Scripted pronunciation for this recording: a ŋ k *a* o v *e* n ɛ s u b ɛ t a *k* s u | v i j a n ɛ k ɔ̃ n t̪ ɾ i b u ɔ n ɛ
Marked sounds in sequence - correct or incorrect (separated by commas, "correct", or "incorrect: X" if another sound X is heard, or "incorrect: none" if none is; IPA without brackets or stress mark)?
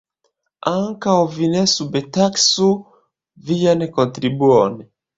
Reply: correct, incorrect: i, correct